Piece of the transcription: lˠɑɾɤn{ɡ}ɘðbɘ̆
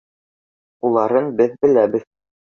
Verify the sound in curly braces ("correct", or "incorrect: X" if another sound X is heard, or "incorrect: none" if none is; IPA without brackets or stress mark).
incorrect: b